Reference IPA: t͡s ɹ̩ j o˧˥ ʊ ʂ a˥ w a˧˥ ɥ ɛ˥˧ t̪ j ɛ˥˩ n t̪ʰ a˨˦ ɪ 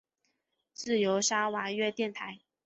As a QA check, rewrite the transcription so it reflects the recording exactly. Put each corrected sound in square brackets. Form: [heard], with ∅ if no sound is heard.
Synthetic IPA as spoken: t͡s ɹ̩ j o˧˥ ʊ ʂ a˥ w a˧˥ ɥ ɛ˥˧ t̪ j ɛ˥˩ n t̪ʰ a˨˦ ɪ